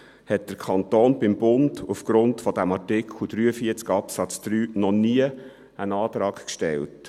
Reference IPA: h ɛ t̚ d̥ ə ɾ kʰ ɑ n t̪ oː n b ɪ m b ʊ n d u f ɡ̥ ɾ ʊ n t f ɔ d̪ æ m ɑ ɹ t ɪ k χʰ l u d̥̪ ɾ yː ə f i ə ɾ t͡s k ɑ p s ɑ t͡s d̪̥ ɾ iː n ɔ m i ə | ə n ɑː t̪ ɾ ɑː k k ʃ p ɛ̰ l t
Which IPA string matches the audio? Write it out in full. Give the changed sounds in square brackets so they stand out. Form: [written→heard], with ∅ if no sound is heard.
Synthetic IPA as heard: h ɛ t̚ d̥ ə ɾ kʰ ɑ n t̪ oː n b ɪ m b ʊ n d u f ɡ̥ ɾ ʊ n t f ɔ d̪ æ m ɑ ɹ t ɪ k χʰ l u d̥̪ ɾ yː ə f i ə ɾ t͡s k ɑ p s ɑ t͡s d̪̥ ɾ [iː→yː] n ɔ [m→n] i ə | ə n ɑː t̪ ɾ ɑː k k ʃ [p→t] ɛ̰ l t